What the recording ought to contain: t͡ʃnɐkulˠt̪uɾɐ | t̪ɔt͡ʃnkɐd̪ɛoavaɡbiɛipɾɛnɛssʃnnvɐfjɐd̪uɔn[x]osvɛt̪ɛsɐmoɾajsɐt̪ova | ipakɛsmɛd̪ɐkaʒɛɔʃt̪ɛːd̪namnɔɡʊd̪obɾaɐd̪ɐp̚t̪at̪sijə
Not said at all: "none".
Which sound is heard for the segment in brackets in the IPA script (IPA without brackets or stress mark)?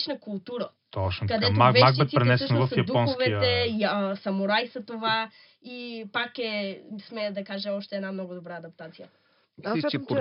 x